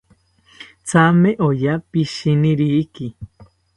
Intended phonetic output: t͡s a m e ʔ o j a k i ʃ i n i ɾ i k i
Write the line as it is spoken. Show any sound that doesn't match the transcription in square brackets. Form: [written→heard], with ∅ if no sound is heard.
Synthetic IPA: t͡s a m e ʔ o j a [k→p] i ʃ i n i ɾ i k i

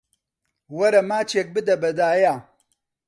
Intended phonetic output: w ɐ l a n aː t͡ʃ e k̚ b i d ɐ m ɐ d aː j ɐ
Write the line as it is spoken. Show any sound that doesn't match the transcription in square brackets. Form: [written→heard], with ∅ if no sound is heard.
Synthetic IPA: w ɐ [l→ɾ] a [n→m] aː t͡ʃ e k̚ b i d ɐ [m→b] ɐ d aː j [ɐ→a]

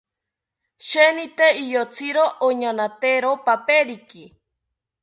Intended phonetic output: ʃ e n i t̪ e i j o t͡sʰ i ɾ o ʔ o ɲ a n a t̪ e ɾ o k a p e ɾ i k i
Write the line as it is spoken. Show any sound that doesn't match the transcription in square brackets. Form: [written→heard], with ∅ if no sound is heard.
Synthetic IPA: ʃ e n i t̪ e i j o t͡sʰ i ɾ o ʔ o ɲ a n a t̪ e ɾ o [k→p] a p e ɾ i k i

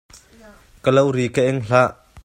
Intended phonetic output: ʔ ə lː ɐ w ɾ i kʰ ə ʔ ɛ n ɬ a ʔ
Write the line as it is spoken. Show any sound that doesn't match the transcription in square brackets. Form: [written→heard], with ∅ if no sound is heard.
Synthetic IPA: [ʔ→k] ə [lː→l] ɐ w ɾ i [kʰ→k] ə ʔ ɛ [n→ŋ] ɬ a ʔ

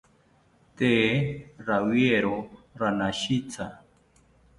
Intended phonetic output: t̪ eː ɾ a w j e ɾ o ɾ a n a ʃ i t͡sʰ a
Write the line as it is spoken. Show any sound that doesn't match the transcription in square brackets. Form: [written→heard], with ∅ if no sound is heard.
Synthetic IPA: t̪ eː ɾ a w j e ɾ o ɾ a n a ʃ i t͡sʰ a

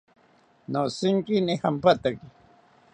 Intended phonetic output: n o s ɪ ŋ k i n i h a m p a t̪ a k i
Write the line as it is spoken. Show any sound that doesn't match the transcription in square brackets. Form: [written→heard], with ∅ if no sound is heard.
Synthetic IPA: n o s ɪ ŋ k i n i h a m p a t̪ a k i

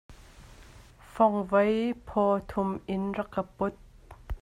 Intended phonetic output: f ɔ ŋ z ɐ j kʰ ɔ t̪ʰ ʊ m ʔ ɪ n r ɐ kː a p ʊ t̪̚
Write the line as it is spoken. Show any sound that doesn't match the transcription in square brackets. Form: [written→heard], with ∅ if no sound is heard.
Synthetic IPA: f ɔ ŋ [z→v] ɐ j [kʰ→pʰ] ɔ t̪ʰ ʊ m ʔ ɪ n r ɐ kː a p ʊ t̪̚

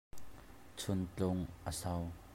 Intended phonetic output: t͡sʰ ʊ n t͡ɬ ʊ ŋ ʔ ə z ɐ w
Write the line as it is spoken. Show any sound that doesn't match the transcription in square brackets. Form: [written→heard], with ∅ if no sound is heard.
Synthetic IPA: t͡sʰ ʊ n t͡ɬ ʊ ŋ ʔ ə [z→s] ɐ w

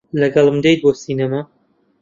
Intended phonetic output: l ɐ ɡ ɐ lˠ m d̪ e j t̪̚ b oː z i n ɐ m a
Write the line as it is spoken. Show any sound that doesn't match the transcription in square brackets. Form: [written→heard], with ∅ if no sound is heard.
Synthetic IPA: l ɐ ɡ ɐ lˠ m d̪ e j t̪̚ b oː [z→s] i n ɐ m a

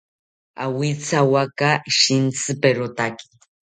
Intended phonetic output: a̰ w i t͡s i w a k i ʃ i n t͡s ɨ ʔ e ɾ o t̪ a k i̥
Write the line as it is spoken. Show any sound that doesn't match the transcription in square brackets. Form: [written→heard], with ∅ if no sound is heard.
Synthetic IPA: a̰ w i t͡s [i→a] w a k [i→a] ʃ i n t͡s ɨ [ʔ→p] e ɾ o t̪ a k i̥

